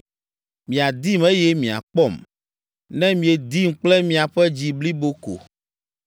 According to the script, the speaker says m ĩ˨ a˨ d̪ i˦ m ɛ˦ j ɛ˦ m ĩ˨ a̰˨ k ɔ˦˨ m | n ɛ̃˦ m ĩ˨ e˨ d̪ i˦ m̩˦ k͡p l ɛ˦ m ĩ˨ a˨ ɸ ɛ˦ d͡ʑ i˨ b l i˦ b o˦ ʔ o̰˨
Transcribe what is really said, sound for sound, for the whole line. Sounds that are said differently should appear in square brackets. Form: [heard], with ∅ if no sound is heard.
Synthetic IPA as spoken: m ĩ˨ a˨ d̪ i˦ m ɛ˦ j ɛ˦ m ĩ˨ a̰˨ [k͡p] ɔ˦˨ m | n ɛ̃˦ m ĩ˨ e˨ d̪ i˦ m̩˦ k͡p l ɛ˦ m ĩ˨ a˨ ɸ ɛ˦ d͡ʑ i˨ b l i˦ b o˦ [k] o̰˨